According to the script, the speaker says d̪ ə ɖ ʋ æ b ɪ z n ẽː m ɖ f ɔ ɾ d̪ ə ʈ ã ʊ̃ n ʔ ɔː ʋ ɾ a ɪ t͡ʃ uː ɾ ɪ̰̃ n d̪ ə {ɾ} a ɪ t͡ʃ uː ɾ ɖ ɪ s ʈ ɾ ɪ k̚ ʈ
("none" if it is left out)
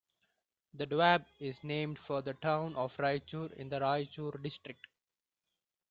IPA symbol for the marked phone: ɾ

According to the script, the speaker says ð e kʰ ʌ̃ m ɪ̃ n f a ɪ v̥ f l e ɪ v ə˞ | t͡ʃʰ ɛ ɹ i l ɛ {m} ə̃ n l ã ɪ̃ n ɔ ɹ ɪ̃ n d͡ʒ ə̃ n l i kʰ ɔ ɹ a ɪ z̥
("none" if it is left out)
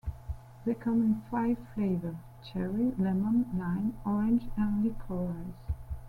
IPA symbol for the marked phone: m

